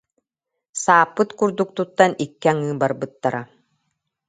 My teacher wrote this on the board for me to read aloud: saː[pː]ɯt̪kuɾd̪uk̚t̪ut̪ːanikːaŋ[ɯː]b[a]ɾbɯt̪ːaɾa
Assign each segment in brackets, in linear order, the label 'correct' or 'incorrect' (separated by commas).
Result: correct, correct, correct